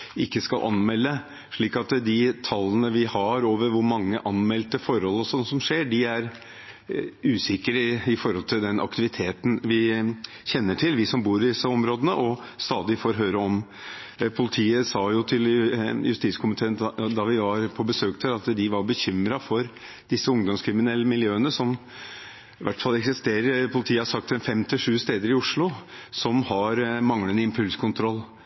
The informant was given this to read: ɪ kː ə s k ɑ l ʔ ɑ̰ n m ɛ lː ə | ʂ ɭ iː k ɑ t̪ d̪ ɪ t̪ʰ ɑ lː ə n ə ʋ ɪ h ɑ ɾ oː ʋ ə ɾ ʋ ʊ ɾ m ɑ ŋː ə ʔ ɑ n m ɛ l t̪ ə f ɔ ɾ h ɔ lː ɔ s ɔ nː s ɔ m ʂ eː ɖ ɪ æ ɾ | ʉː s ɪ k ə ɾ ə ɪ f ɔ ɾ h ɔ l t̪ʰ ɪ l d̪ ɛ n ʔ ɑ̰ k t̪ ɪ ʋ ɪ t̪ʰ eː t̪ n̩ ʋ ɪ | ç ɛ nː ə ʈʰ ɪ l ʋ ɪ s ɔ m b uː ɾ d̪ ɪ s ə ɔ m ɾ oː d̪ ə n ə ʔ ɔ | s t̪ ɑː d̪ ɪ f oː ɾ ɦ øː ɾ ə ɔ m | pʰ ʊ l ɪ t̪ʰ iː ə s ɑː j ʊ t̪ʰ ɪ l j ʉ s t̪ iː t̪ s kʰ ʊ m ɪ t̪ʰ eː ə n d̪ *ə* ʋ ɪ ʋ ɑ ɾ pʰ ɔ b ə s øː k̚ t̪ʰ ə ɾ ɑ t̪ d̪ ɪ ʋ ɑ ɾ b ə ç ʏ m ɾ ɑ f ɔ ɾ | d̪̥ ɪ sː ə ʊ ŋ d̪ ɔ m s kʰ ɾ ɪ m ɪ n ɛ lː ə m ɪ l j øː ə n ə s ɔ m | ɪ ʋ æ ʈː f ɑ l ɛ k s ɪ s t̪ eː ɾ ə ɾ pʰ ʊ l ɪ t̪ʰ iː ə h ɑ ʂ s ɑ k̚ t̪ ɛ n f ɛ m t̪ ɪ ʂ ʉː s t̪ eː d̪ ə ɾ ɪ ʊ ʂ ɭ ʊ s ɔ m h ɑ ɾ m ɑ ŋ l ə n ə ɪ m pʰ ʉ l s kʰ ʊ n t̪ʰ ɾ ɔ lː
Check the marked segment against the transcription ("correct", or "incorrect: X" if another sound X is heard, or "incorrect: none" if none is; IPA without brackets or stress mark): incorrect: ɑ